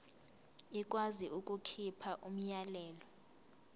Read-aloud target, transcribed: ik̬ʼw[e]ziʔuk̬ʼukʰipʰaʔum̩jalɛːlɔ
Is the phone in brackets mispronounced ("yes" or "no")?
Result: yes